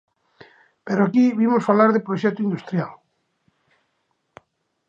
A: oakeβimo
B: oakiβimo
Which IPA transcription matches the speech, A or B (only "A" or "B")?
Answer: B